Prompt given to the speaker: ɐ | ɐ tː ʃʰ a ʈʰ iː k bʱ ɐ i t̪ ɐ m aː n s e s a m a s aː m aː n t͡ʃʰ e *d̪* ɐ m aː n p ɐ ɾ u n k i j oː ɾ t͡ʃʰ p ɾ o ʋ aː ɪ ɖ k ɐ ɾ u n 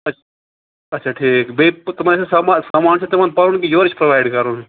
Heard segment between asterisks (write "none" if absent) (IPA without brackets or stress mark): t̪